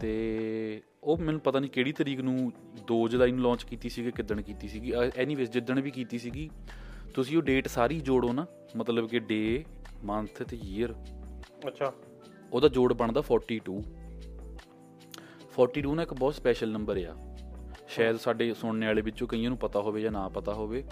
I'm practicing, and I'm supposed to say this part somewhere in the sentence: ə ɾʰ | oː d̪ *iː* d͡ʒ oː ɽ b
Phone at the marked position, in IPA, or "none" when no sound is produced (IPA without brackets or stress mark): aː